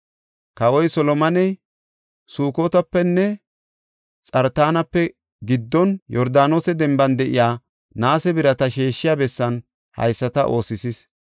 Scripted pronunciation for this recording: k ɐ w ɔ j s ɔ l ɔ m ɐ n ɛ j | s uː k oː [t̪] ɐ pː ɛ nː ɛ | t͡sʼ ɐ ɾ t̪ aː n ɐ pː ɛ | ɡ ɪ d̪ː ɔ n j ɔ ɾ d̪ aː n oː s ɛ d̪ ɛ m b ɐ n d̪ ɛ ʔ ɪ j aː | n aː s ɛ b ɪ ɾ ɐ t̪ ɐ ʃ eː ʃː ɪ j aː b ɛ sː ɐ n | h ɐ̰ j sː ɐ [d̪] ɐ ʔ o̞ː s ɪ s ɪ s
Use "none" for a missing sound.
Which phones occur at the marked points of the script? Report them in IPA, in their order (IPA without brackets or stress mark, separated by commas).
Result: t̪, t̪